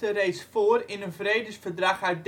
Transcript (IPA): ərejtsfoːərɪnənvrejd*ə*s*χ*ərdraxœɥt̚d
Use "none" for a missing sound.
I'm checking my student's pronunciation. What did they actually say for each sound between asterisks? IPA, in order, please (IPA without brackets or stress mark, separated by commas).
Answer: ə, f